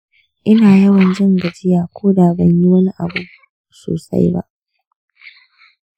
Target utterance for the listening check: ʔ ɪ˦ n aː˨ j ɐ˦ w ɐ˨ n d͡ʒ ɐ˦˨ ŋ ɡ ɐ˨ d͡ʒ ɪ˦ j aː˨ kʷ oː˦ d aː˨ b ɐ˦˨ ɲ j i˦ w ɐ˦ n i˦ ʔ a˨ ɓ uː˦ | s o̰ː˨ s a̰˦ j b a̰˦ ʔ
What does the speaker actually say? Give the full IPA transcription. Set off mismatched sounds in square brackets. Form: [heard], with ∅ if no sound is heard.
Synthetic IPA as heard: ʔ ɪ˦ n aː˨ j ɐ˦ w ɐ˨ n d͡ʒ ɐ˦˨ ŋ ɡ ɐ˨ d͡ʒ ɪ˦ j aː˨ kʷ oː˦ d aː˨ b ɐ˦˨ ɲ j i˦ w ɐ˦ n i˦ ʔ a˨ [b] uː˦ | s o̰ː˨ s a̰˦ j b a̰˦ ʔ